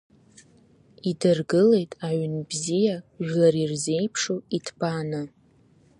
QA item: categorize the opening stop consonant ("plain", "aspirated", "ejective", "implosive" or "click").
plain